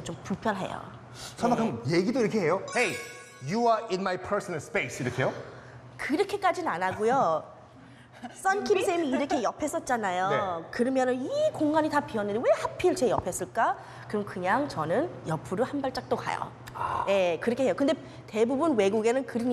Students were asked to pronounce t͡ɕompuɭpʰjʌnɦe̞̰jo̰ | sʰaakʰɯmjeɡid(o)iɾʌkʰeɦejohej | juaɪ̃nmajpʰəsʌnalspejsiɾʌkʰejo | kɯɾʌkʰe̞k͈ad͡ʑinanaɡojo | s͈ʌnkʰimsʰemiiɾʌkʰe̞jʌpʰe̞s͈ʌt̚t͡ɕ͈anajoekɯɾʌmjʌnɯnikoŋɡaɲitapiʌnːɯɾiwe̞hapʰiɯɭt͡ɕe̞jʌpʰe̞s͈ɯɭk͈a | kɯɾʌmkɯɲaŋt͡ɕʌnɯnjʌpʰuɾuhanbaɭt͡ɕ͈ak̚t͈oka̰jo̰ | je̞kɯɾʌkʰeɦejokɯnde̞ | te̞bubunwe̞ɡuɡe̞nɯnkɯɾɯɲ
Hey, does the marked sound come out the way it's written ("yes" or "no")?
yes